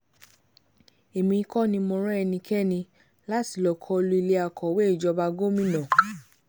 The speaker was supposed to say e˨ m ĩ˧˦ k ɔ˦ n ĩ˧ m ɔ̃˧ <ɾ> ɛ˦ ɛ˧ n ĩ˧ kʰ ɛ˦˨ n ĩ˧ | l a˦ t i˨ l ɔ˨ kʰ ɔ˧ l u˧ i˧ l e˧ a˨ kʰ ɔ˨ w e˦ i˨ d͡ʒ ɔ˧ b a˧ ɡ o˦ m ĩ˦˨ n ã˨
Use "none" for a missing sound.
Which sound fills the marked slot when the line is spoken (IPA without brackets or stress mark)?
ɾ